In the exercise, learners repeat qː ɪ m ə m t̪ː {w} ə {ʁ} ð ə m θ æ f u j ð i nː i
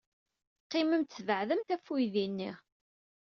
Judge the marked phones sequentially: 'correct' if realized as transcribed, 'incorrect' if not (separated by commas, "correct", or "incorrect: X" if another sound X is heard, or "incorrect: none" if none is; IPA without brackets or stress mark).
incorrect: v, incorrect: ʕ